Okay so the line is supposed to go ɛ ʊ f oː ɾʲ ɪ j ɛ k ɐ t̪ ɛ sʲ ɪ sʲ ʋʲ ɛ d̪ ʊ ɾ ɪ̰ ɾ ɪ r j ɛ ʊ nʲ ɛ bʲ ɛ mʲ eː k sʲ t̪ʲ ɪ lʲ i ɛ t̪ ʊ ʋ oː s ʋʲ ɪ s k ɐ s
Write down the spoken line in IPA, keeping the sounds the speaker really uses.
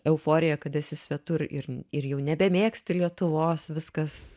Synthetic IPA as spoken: ɛ ʊ f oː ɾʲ ɪ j ɛ k ɐ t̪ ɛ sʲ ɪ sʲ ʋʲ ɛ t̪ ʊ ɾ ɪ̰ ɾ ɪ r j ɛ ʊ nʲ ɛ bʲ ɛ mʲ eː k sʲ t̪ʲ ɪ lʲ i ɛ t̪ ʊ ʋ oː s ʋʲ ɪ s k ɐ s